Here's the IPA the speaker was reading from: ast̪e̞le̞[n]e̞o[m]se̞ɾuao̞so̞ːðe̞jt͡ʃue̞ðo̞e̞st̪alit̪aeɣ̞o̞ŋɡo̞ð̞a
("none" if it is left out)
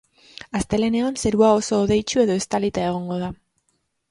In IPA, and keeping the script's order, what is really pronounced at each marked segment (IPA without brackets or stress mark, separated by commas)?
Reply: n, n